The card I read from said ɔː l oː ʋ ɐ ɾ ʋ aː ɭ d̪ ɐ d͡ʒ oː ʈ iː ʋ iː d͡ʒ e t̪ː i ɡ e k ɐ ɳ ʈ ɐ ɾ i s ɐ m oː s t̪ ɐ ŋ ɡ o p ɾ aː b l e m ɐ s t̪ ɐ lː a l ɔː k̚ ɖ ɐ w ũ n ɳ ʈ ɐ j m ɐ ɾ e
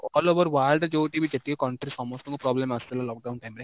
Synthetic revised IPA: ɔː l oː ʋ ɐ ɾ ʋ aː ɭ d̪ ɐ d͡ʒ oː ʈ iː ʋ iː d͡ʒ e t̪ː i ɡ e k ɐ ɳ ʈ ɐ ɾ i s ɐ m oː s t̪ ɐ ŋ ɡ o p ɾ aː b l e m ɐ s t̪ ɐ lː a l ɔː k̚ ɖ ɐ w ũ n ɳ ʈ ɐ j m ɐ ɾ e